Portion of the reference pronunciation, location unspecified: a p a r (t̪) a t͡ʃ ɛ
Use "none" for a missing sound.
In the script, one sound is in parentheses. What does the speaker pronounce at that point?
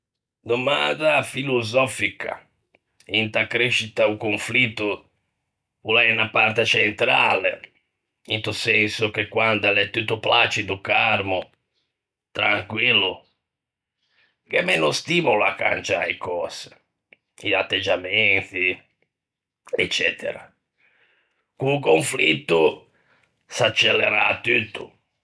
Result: t̪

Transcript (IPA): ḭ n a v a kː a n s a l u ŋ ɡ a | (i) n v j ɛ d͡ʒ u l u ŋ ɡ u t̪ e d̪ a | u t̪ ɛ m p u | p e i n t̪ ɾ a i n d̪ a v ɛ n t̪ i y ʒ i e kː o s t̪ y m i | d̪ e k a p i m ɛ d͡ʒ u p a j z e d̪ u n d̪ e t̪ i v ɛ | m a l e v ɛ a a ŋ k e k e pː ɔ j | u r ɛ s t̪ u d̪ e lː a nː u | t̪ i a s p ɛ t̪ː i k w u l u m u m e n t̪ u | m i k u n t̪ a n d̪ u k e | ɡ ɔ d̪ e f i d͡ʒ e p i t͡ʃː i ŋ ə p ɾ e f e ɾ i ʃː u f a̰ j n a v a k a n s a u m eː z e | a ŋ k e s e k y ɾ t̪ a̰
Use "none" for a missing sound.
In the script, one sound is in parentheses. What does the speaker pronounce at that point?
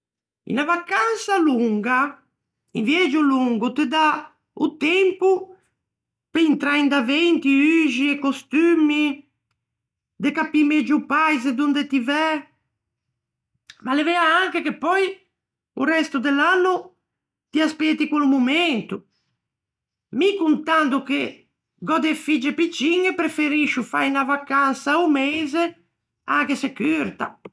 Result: i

